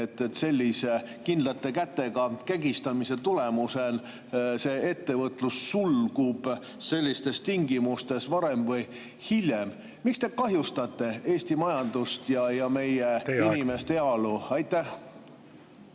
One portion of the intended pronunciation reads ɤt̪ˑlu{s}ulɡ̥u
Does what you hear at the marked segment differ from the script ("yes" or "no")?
yes